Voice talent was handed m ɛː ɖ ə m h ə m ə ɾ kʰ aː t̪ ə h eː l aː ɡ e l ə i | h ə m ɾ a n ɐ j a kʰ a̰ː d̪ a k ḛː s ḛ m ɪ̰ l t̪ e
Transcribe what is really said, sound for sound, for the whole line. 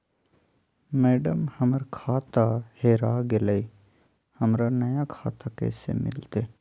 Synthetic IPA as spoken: m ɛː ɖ ə m h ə m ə ɾ kʰ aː t̪ a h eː ɾ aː ɡ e l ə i | h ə m ɾ a n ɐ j a kʰ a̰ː t̪ a k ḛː s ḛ m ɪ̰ l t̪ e